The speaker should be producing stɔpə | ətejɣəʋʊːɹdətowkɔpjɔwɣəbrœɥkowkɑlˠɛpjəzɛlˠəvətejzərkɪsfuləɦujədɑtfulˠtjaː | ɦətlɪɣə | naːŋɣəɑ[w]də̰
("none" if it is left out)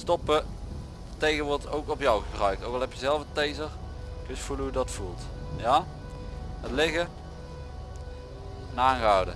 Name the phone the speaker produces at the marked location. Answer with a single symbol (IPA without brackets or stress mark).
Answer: w